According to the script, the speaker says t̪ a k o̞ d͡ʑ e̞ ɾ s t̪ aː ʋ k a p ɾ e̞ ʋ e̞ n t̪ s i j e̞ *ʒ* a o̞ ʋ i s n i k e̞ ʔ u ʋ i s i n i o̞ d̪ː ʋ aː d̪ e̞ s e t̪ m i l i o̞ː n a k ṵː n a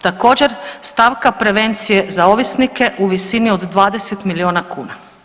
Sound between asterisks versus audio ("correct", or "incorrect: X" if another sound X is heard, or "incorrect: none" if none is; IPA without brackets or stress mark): incorrect: z